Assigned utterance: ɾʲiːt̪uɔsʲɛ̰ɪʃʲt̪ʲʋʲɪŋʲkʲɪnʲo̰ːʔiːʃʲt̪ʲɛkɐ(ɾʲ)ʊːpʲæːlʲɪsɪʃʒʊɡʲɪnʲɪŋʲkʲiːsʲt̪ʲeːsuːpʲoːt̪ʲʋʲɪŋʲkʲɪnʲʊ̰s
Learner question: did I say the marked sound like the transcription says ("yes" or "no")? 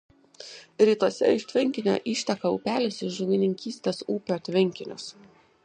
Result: no